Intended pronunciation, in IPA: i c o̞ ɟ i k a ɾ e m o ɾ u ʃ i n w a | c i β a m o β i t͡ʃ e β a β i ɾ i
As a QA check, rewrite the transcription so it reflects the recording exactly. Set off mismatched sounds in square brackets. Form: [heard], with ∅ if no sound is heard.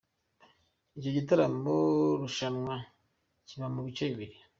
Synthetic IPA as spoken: i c o̞ ɟ i [t] a ɾ [a] m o ɾ u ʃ [a] n w a | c i β a m [u] β i t͡ʃ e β [i] β i ɾ i

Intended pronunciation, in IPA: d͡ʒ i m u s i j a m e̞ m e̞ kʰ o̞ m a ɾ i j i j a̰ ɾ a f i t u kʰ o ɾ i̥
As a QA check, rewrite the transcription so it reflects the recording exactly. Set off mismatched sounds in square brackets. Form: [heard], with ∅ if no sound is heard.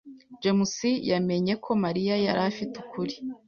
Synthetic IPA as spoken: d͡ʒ [e] m u s i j a m e̞ [ɲ] e̞ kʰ o̞ m a ɾ i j [a] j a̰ ɾ a f i t u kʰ [u] ɾ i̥

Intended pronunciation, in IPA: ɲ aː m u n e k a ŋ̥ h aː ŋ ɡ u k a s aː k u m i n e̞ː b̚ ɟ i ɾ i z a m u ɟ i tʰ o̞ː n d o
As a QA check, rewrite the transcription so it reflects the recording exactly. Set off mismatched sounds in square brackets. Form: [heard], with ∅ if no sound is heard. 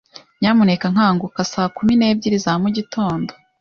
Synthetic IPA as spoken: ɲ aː m u n e k a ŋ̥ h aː ŋ ɡ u k a s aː k u m i n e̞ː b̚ ɟ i ɾ i z a m u ɟ i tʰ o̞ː n d o

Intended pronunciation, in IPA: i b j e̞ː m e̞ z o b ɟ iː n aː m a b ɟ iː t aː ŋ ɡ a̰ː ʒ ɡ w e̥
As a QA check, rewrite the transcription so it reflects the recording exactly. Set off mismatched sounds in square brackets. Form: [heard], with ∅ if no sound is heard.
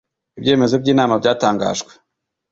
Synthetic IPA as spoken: i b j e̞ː m e̞ z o b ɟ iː n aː m a b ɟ [aː] t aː ŋ ɡ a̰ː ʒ ɡ w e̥

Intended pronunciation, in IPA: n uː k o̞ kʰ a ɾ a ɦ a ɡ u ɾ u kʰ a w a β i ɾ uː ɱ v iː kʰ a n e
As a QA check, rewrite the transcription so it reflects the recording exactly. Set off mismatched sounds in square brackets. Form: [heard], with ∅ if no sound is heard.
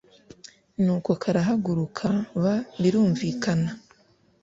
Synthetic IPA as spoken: n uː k o̞ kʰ a ɾ a ɦ a ɡ u ɾ u kʰ a [β] a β i ɾ uː ɱ v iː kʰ a n [a]

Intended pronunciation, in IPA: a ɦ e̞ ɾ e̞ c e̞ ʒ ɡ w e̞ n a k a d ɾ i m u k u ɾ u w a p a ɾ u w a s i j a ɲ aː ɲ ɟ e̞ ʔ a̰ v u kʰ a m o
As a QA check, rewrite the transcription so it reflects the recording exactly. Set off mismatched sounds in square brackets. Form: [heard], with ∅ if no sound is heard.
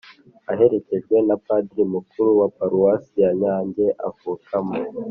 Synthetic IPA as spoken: a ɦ e̞ ɾ e̞ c e̞ ʒ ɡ w e̞ n a [p] a d ɾ i m u k u ɾ u w a p a ɾ u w a s i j a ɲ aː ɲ ɟ e̞ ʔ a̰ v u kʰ a m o

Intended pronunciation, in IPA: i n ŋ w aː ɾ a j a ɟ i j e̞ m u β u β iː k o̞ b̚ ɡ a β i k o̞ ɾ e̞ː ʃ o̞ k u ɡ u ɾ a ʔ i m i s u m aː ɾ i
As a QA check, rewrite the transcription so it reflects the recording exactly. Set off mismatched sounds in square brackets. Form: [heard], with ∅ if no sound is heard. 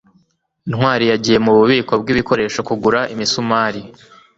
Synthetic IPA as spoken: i n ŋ w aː ɾ [i] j a ɟ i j e̞ m u β u β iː k o̞ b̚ ɡ [i] β i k o̞ ɾ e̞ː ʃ o̞ k u ɡ u ɾ a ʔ i m i s u m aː ɾ i

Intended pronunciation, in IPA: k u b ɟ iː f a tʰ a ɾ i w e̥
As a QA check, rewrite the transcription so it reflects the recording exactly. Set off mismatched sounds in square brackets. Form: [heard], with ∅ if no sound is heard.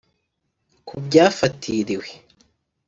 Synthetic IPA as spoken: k u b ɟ [aː] f a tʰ [i] ɾ i w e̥

